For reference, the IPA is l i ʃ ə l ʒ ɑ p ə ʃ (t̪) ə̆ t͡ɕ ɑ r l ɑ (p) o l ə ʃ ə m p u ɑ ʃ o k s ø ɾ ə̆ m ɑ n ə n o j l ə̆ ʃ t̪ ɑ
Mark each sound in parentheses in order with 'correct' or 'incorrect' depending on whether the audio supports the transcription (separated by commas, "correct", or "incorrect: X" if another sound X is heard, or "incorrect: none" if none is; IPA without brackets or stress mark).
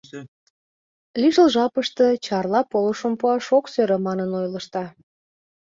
correct, correct